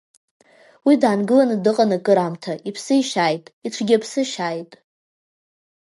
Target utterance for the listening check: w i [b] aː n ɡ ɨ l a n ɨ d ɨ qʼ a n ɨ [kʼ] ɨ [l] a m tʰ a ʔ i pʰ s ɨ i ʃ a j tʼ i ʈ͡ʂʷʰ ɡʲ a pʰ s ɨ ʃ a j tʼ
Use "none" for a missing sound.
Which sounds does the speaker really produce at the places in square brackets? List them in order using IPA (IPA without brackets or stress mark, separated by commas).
d, kʼ, ɾ